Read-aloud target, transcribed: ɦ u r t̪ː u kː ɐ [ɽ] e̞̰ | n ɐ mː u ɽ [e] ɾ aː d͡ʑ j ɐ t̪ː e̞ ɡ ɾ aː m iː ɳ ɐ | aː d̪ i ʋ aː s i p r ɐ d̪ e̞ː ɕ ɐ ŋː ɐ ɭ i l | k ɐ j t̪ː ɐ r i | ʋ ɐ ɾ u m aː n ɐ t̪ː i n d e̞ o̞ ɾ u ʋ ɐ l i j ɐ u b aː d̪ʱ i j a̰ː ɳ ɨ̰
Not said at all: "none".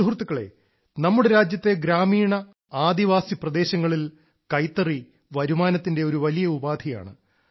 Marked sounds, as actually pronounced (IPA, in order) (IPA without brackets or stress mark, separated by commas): ɭ, e